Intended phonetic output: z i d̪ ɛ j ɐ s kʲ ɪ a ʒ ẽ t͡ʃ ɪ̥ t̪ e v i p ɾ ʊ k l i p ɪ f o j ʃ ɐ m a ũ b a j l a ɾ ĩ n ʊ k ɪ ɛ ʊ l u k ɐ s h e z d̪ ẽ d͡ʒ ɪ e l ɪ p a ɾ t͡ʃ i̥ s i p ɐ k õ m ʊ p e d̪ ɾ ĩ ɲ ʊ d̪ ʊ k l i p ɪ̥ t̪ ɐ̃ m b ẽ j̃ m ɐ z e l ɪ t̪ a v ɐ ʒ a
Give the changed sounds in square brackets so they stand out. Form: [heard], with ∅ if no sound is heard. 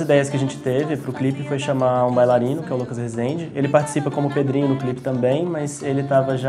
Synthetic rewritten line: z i d̪ ɛ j ɐ s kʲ ɪ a ʒ ẽ t͡ʃ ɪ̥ t̪ e v [ɪ] p ɾ ʊ k l i p ɪ f o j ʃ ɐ m a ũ b a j l a ɾ ĩ n ʊ k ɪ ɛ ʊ l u k ɐ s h e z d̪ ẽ d͡ʒ ɪ e l ɪ p a ɾ t͡ʃ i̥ s i p ɐ k õ m ʊ p e d̪ ɾ ĩ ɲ ʊ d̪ ʊ k l i p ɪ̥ t̪ ɐ̃ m b ẽ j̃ m ɐ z e l ɪ t̪ a v ɐ ʒ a